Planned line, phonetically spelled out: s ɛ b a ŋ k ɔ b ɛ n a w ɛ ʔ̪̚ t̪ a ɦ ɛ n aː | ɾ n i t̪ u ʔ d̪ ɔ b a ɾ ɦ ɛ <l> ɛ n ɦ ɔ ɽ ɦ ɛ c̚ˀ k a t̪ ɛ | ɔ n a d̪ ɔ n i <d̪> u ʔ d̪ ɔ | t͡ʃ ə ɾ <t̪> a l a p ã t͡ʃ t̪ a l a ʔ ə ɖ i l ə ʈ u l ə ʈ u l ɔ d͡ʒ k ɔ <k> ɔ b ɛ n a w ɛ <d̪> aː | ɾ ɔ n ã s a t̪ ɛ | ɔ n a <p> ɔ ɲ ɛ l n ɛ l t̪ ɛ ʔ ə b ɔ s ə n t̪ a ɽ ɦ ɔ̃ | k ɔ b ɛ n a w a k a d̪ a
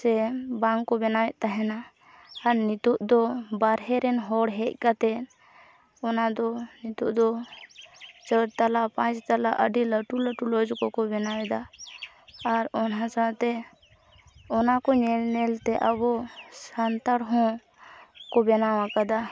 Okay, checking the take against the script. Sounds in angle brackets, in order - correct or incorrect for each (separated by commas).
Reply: incorrect, incorrect, correct, correct, correct, incorrect